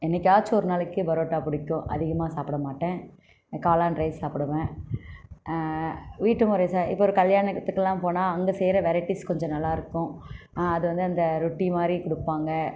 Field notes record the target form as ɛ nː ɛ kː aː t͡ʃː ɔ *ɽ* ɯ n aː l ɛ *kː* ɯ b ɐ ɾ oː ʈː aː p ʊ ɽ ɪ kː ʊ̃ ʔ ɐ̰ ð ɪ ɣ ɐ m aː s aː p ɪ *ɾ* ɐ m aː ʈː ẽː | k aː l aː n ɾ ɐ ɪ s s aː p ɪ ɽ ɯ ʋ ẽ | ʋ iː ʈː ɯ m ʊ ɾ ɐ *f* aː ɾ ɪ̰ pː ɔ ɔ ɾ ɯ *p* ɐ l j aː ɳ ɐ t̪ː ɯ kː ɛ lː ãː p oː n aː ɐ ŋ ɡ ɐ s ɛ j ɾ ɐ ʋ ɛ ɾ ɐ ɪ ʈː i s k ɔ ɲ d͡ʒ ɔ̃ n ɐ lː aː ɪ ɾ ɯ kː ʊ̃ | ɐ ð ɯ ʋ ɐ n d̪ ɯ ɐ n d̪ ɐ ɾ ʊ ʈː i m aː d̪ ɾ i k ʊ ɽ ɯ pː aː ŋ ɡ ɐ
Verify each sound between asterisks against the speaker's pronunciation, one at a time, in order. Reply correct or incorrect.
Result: incorrect, correct, incorrect, incorrect, incorrect

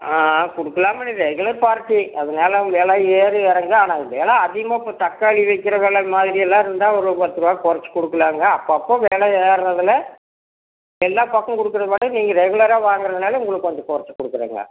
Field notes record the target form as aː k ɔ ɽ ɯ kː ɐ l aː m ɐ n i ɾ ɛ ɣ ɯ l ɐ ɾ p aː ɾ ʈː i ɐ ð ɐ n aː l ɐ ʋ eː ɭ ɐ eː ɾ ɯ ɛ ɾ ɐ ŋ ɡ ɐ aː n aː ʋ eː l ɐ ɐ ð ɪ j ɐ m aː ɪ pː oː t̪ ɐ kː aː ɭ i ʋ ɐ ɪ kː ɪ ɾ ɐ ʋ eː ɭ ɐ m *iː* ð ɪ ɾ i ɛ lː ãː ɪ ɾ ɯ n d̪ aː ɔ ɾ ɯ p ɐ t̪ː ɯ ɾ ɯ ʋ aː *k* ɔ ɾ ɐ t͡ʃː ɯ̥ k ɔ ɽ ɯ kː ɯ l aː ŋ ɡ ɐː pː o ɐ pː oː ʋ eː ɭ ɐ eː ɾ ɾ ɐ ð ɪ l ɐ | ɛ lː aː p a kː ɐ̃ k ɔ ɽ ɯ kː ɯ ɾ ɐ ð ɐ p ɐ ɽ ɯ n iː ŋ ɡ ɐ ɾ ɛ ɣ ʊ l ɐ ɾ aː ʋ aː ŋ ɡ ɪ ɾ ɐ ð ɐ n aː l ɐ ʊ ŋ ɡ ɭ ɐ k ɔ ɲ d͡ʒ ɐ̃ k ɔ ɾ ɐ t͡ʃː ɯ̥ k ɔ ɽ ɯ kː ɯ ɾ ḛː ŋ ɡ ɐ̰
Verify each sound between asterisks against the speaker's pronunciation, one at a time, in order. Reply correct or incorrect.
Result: incorrect, correct

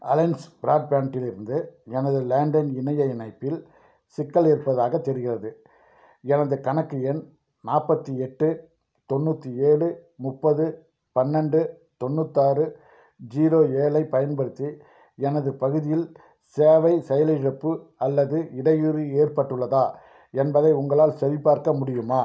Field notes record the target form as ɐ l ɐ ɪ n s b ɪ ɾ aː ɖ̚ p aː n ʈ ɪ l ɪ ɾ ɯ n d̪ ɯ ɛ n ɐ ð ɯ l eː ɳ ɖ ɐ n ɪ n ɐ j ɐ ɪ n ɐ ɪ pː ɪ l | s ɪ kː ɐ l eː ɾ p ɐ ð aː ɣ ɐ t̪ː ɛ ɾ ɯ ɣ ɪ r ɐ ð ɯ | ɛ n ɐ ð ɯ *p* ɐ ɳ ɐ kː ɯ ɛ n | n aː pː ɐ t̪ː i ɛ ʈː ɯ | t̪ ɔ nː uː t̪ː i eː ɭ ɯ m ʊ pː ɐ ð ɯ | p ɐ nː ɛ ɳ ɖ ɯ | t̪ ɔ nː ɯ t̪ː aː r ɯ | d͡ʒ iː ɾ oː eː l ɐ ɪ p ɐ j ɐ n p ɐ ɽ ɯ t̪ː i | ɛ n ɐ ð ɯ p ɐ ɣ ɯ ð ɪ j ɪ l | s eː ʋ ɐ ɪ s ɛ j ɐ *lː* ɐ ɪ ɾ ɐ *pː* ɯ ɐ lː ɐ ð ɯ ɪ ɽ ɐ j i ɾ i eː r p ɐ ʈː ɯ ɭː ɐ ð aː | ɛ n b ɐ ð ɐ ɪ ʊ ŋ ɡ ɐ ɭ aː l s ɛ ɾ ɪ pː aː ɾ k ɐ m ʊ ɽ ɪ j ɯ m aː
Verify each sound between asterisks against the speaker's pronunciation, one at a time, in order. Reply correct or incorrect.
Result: incorrect, incorrect, correct

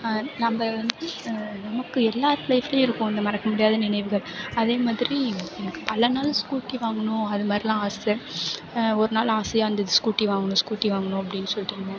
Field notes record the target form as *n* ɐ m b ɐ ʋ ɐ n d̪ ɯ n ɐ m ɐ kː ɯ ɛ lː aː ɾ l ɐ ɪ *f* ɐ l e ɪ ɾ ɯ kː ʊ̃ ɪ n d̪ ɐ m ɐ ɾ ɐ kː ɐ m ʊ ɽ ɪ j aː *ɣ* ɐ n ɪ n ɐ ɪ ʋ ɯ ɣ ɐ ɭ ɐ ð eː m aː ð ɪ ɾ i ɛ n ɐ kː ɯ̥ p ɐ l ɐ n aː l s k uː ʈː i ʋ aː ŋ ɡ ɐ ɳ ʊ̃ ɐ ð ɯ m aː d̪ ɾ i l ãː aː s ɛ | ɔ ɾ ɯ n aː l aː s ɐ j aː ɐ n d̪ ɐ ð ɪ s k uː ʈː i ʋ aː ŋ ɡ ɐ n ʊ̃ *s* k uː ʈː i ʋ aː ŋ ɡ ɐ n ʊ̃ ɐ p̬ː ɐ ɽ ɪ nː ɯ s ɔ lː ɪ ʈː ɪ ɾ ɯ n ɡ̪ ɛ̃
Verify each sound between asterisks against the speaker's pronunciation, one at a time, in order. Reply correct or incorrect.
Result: correct, correct, incorrect, correct

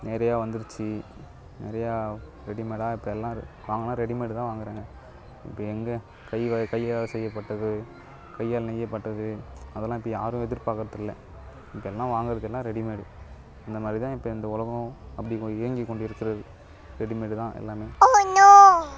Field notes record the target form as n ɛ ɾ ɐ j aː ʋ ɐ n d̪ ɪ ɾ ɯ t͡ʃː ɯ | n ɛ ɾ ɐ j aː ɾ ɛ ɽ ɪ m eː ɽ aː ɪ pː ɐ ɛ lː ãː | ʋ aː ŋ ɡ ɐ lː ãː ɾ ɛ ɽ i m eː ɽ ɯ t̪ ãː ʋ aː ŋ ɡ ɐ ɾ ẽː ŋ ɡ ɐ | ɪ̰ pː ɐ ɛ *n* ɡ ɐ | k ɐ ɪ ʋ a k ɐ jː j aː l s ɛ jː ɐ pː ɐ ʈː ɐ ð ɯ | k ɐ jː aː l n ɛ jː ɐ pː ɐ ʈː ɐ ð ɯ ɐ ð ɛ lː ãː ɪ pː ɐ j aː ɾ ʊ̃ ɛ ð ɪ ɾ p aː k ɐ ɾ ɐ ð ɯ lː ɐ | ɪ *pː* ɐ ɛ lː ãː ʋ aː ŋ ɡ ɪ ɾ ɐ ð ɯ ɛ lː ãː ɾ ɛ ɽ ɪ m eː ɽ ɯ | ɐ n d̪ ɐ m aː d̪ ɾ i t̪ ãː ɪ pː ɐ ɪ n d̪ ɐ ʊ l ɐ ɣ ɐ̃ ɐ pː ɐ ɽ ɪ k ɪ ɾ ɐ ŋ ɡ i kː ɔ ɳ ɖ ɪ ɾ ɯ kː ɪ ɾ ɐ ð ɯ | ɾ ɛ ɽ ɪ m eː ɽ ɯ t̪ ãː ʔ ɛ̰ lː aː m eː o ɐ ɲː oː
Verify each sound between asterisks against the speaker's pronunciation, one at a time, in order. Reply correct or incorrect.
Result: incorrect, correct

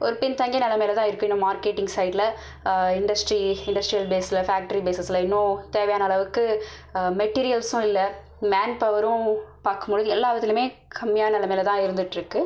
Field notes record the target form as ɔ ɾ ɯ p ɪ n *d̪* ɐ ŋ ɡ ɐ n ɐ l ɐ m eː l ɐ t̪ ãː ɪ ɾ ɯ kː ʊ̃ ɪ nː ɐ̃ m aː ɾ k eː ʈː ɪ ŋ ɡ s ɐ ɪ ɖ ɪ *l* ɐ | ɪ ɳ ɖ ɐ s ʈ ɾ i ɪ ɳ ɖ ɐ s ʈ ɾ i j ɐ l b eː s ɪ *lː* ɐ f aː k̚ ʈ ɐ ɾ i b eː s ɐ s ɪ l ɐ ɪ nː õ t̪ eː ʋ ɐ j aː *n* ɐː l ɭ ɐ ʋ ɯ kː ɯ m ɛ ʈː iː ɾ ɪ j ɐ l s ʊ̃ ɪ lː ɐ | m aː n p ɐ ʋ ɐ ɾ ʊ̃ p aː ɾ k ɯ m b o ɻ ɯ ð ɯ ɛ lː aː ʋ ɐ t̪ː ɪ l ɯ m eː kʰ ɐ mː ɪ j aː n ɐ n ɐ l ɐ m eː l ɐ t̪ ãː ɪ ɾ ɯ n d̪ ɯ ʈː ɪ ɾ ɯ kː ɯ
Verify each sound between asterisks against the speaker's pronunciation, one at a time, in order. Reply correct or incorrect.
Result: incorrect, correct, incorrect, correct

